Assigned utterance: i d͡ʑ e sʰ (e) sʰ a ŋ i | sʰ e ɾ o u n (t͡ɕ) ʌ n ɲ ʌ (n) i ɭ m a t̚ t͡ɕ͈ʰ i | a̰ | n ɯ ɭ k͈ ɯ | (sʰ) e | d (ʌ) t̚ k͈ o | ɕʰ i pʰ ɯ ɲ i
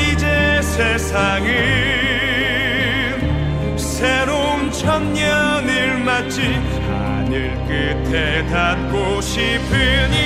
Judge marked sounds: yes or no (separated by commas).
yes, no, yes, no, no